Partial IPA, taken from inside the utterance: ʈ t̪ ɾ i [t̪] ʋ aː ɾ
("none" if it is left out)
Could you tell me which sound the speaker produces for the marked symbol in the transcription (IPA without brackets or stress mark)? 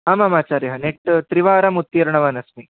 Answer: none